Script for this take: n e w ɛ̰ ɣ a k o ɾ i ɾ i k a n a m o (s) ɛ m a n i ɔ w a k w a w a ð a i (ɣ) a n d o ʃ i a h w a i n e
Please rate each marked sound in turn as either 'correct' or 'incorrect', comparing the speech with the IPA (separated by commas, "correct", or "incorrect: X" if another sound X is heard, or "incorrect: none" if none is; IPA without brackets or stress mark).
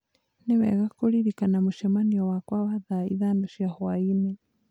incorrect: ʃ, incorrect: ð